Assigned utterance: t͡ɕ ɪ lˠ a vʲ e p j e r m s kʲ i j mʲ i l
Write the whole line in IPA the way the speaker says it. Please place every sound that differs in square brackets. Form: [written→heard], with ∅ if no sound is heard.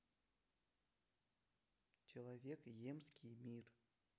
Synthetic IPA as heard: t͡ɕ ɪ lˠ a vʲ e [p→k] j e [r→∅] m s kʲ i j mʲ i [l→r]